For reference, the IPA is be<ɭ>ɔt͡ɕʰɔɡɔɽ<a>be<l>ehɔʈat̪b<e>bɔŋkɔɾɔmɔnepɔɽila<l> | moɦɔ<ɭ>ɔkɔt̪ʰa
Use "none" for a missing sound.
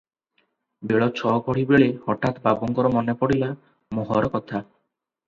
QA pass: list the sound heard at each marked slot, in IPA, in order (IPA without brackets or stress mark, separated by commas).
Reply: ɭ, i, ɭ, a, none, ɾ